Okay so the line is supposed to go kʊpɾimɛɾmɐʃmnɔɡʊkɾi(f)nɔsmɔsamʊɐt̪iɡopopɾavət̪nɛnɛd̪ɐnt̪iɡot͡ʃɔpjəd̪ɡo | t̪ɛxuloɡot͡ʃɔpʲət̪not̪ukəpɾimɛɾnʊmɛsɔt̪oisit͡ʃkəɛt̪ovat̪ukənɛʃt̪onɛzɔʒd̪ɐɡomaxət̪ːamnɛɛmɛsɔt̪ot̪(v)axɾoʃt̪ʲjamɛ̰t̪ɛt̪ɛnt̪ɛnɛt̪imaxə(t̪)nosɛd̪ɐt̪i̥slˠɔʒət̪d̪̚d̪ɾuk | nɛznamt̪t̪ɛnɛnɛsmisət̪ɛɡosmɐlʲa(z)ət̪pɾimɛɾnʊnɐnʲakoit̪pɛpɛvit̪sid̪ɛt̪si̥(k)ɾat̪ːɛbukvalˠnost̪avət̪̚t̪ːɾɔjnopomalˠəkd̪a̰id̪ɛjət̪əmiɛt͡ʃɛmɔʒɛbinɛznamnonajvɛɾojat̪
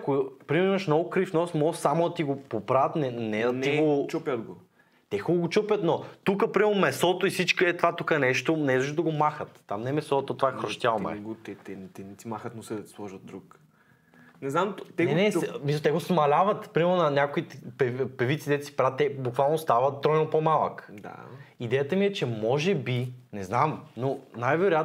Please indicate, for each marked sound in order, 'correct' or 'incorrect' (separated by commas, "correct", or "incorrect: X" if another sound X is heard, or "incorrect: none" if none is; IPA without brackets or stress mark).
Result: correct, correct, correct, incorrect: v, incorrect: p